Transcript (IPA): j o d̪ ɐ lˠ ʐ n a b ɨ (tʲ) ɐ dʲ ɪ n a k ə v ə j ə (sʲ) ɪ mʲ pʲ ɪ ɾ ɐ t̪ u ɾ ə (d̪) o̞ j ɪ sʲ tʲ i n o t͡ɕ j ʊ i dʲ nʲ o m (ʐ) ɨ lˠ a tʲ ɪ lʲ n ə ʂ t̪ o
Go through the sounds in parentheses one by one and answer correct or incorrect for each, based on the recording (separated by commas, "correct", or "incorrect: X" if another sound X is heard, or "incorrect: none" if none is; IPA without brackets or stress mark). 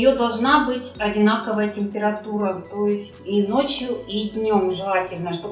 correct, incorrect: tʲ, incorrect: t̪, correct